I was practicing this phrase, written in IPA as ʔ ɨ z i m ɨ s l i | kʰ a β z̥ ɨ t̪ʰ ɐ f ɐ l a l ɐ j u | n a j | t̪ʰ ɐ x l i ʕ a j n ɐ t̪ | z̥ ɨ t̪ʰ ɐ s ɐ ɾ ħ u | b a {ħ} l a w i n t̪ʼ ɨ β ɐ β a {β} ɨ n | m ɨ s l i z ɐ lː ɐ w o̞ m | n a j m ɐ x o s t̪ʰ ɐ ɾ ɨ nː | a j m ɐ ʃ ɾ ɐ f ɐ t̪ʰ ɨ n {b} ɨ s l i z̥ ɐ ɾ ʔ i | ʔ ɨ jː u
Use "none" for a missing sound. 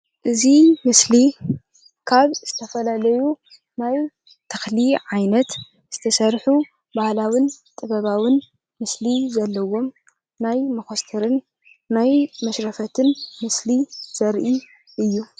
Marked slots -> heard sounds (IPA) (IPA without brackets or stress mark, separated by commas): h, w, m